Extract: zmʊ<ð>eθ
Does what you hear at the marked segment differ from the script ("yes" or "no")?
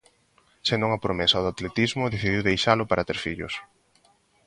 no